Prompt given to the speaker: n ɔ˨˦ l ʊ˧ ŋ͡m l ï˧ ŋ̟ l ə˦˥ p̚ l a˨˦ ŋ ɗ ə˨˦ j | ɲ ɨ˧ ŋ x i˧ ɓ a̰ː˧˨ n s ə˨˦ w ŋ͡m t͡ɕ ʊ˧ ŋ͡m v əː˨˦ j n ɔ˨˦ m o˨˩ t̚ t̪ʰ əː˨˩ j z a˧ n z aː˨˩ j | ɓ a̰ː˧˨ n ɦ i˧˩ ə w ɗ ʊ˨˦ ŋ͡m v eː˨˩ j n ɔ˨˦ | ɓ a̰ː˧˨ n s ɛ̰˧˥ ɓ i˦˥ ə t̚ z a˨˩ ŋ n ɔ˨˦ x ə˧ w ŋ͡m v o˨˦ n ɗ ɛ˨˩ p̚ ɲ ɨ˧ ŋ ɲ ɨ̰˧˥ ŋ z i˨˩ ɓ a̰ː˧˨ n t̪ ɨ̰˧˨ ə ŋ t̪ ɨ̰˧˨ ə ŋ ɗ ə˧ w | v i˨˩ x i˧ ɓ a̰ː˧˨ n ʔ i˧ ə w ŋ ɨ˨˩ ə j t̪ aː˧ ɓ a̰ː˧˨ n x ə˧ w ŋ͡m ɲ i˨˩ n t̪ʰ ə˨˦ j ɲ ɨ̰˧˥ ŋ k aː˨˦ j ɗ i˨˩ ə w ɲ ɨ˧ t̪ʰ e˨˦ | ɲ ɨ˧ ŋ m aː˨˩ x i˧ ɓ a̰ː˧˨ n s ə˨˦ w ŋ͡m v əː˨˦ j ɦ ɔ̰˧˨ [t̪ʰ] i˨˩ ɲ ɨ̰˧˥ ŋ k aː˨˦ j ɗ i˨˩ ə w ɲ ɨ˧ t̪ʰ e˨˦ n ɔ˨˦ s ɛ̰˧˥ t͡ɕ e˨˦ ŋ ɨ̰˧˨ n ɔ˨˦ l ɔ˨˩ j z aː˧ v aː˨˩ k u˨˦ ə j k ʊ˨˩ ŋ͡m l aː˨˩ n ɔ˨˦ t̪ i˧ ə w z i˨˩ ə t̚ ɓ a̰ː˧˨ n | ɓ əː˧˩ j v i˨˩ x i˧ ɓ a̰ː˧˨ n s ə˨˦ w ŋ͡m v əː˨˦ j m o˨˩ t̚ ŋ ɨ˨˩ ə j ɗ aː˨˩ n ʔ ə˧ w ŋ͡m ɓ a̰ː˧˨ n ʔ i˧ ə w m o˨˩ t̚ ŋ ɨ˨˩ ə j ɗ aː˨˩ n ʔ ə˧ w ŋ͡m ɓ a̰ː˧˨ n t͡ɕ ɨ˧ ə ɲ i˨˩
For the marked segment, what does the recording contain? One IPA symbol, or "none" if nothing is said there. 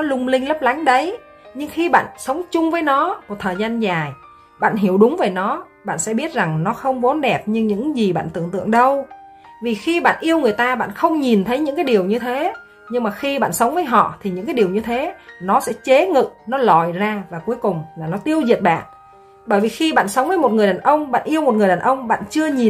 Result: t̪ʰ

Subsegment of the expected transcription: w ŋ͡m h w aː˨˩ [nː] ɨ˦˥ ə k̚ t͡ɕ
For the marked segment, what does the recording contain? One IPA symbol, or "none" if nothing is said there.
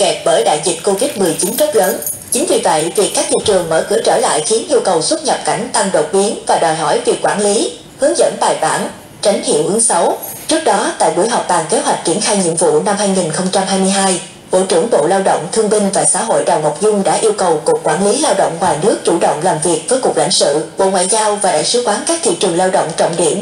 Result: n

